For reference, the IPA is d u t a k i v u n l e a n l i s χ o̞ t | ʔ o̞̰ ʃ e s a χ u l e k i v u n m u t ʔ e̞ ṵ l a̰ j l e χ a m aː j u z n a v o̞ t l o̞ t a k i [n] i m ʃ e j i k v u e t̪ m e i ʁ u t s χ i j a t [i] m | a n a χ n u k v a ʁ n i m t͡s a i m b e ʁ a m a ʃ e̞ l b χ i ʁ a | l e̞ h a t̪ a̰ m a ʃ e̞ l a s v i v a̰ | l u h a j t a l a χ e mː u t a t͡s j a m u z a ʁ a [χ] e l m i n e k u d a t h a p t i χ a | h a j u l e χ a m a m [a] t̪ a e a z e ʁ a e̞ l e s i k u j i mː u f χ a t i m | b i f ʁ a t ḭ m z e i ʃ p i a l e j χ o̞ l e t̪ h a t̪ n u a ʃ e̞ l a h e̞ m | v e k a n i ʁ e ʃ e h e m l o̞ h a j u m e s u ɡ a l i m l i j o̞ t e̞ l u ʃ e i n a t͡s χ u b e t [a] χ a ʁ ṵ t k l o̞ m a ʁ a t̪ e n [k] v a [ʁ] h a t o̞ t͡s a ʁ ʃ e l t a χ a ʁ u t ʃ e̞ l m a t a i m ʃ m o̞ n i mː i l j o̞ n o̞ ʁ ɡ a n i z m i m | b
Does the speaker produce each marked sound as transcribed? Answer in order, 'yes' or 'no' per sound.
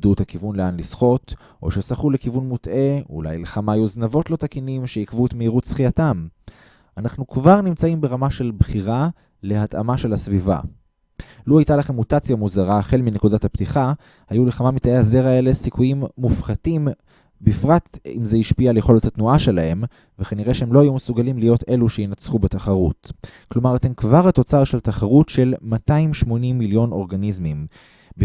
yes, no, yes, no, yes, yes, yes

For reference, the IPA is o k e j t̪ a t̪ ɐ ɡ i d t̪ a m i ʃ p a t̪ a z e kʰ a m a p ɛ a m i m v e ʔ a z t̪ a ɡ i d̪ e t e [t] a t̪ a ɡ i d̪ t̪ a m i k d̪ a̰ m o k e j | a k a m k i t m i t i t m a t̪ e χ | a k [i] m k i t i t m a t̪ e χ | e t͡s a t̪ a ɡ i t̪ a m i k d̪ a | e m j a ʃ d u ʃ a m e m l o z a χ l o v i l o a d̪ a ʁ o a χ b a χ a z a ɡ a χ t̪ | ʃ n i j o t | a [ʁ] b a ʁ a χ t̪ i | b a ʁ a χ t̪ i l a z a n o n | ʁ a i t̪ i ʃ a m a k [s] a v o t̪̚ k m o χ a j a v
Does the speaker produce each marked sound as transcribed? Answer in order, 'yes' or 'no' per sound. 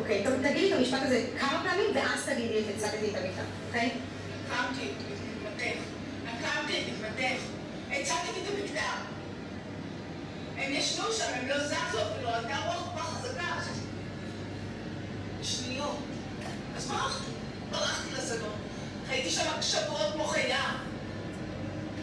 no, no, no, no

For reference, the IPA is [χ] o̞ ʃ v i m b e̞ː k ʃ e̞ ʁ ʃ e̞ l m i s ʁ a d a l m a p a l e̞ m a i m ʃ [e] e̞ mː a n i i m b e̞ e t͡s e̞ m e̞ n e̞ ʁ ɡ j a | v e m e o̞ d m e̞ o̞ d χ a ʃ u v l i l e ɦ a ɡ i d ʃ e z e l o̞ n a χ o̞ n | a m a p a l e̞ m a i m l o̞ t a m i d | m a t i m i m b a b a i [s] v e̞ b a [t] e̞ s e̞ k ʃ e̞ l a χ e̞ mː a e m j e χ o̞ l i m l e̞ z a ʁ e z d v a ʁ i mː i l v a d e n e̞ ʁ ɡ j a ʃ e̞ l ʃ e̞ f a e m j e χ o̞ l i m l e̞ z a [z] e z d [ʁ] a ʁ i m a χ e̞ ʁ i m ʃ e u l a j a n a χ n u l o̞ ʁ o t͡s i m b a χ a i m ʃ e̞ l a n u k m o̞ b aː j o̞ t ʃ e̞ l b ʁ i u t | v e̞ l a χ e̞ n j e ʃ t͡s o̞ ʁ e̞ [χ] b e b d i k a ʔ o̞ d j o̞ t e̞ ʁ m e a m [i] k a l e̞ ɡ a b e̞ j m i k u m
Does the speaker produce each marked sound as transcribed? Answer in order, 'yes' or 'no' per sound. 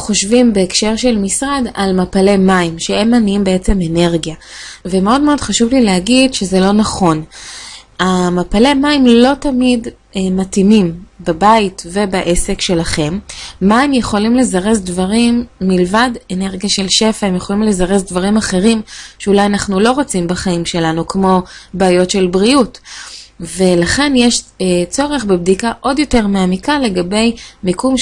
yes, yes, no, no, no, no, yes, yes

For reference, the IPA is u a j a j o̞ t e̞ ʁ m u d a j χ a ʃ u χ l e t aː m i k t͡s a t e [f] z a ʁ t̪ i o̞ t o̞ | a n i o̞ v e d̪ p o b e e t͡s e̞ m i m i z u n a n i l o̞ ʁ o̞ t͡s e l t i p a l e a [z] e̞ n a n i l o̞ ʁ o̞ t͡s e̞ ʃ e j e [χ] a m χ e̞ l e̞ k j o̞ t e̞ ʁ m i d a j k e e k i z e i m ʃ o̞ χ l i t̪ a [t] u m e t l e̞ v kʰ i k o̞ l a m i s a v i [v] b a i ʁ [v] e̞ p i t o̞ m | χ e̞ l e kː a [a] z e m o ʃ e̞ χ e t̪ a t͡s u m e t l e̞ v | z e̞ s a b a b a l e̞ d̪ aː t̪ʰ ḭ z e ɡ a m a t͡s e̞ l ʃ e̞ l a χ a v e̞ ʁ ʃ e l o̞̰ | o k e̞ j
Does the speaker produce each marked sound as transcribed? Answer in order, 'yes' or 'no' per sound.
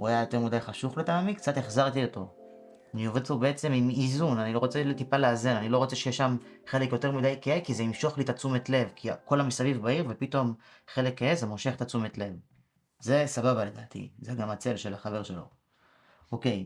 no, yes, no, no, yes, yes, no

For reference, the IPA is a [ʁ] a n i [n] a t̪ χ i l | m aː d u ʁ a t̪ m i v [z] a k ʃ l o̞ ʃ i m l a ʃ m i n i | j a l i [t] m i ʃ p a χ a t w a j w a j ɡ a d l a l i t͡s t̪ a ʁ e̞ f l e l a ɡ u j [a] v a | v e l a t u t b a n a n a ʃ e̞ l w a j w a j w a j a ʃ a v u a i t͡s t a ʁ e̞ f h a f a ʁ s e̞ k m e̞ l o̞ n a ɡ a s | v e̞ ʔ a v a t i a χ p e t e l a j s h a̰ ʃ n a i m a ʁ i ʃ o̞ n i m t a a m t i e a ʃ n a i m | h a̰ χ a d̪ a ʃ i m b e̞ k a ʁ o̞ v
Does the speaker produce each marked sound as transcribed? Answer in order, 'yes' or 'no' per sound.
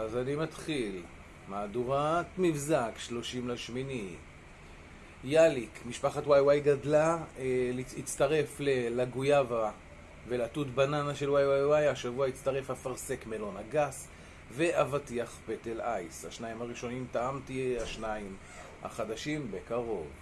no, no, yes, no, yes

